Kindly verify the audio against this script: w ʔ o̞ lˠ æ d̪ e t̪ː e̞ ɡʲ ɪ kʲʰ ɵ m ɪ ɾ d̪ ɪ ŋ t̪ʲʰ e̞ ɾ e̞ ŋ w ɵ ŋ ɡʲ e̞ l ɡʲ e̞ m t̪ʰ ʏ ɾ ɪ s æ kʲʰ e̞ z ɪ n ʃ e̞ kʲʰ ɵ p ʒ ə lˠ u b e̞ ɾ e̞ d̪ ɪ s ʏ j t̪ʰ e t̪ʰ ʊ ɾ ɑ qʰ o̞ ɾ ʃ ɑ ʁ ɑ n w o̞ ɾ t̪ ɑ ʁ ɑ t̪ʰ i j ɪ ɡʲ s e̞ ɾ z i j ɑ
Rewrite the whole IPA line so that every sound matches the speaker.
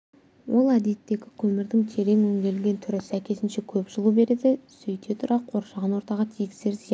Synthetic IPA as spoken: w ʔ o̞ lˠ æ d̪ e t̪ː e̞ ɡʲ ɪ kʲʰ ɵ m ɪ ɾ d̪ ɪ ŋ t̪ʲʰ e̞ ɾ e̞ ŋ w ɵ ŋ ɡʲ e̞ l ɡʲ e̞ n t̪ʰ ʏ ɾ ɪ s æ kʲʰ e̞ s ɪ n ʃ e̞ kʲʰ ɵ p ʒ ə lˠ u b e̞ ɾ e̞ d̪ ɪ s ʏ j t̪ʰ e t̪ʰ ʊ ɾ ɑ qʰ o̞ ɾ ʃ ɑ ʁ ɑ n w o̞ ɾ t̪ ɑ ʁ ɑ t̪ʰ i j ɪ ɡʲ s e̞ ɾ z i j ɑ